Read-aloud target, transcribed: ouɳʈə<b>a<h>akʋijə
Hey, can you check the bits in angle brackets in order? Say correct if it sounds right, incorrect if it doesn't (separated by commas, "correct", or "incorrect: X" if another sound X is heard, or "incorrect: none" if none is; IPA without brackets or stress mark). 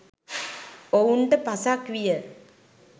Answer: incorrect: p, incorrect: s